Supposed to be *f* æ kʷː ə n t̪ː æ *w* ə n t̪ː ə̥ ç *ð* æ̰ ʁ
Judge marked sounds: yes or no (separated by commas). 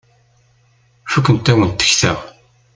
yes, yes, no